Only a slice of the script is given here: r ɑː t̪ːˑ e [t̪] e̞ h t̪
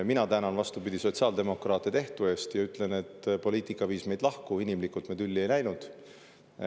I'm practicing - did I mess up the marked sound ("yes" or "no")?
no